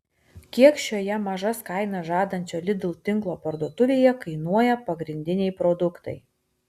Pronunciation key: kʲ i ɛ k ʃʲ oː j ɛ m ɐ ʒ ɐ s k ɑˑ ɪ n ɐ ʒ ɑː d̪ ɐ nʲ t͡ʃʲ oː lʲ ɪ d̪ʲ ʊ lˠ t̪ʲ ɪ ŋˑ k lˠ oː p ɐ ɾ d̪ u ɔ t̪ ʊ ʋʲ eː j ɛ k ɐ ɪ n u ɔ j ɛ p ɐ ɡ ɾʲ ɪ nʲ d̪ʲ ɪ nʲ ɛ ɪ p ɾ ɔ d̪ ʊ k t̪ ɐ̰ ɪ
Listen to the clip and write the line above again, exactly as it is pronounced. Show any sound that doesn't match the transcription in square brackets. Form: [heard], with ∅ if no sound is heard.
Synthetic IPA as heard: kʲ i ɛ k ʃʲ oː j ɛ m ɐ ʒ ɐ s k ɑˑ ɪ n ɐ ʒ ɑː d̪ ɐ nʲ t͡ʃʲ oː lʲ ɪ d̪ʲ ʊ lˠ t̪ʲ ɪ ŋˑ k lˠ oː p ɐ ɾ d̪ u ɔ t̪ ʊ ʋʲ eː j ɛ k ɐ ɪ n u ɔ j ɛ p ɐ ɡ ɾʲ ɪ nʲ d̪ʲ ɪ nʲ ɛ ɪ p ɾ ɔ d̪ ʊ k t̪ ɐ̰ ɪ